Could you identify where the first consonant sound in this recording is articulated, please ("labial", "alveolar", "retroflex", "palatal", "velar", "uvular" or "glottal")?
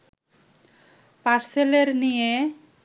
labial